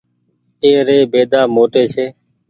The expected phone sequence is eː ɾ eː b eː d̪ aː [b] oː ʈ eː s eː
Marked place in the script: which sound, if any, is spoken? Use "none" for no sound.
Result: m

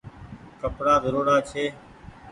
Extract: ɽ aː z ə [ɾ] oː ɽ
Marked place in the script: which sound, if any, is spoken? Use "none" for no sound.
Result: ɾ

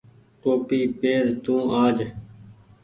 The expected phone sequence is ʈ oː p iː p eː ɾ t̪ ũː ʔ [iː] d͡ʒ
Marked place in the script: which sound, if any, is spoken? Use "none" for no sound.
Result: aː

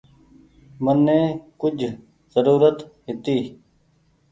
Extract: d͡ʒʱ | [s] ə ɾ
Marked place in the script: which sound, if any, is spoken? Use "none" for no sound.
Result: z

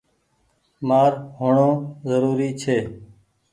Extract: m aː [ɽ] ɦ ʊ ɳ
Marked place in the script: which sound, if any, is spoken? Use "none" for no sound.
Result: ɾ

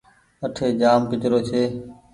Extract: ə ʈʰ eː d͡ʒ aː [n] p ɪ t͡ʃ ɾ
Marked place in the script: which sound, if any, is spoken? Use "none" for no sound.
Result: m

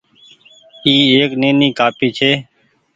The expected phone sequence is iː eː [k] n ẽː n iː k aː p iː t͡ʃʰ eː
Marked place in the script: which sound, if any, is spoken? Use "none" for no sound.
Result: k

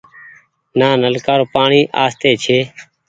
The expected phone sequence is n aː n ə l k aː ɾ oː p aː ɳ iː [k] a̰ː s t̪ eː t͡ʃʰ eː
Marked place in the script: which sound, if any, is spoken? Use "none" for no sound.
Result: ʔ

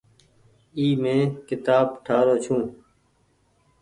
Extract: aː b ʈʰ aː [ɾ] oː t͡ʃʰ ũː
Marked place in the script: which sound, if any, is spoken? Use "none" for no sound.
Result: ɾ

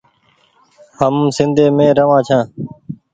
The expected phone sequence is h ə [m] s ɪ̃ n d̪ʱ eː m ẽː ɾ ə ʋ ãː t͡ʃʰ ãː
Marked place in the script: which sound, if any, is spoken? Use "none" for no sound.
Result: m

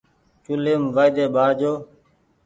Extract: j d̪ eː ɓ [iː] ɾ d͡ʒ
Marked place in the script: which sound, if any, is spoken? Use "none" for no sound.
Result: aː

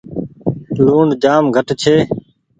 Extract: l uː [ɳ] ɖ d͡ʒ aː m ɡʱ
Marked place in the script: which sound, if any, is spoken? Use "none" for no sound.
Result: ɳ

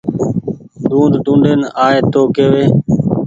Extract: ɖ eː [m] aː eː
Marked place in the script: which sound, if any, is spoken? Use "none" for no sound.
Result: n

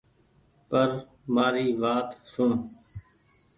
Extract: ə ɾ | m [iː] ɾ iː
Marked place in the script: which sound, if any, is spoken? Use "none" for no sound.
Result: aː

